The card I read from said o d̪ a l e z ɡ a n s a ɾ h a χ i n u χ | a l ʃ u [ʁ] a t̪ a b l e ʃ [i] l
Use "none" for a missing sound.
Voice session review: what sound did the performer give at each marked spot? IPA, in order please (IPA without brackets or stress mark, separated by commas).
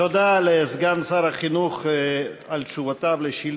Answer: v, i